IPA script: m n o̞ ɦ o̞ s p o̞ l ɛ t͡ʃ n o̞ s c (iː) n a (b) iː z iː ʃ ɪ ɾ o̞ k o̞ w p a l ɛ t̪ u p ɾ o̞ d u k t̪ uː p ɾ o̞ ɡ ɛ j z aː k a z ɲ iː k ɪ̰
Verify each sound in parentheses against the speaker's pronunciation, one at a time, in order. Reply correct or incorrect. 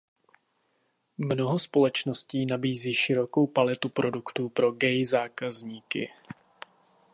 correct, correct

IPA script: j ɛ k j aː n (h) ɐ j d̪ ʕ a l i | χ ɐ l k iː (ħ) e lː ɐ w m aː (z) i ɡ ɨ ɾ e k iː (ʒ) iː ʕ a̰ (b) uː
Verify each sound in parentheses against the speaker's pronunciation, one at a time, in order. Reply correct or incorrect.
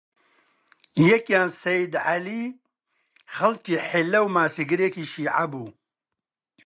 incorrect: s, correct, incorrect: s, incorrect: ʃ, correct

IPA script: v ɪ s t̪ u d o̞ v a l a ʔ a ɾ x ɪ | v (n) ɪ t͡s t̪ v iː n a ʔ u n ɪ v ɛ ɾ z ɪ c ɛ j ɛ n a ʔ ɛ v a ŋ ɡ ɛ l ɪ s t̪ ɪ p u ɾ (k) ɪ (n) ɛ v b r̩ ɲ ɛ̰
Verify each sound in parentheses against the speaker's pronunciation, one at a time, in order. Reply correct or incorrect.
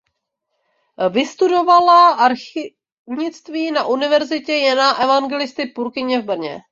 incorrect: ɲ, correct, incorrect: ɲ

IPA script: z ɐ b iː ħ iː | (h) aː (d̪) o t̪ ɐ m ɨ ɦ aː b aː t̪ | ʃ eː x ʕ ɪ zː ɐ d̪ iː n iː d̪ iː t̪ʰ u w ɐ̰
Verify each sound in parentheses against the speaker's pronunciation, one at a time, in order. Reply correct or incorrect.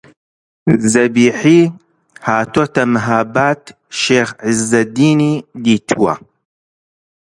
correct, incorrect: t̪

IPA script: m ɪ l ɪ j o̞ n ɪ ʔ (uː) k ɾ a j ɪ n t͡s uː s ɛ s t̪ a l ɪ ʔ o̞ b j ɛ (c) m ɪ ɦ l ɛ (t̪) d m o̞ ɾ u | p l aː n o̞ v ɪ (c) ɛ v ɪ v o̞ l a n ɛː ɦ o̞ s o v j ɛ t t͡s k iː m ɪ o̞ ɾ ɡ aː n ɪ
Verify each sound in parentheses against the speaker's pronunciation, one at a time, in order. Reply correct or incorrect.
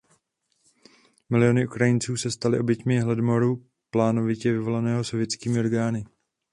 incorrect: u, correct, incorrect: none, correct

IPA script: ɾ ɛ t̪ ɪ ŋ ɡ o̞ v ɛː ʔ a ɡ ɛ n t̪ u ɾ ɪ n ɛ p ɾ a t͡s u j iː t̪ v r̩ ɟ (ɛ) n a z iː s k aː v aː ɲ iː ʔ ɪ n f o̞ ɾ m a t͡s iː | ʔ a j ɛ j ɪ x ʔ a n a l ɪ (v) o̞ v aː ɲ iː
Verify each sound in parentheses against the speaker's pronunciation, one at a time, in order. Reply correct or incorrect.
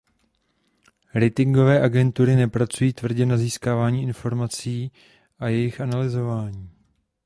correct, incorrect: z

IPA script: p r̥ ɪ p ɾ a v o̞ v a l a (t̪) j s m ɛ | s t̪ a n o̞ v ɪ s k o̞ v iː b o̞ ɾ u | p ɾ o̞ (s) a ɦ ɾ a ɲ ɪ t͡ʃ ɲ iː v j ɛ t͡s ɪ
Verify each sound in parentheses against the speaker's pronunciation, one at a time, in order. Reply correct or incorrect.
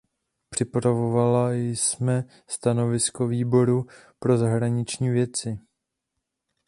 incorrect: none, incorrect: z

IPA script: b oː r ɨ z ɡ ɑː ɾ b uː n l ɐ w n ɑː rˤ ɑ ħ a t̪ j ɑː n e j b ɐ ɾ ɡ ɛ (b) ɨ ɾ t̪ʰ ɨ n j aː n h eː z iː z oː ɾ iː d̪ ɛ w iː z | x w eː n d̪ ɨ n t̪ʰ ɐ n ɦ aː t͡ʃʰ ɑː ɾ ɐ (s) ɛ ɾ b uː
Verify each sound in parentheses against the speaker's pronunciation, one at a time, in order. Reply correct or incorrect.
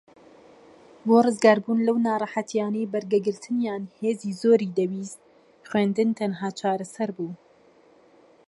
incorrect: ɡ, correct

